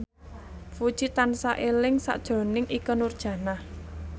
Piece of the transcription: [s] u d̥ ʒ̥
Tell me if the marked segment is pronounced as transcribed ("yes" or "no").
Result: no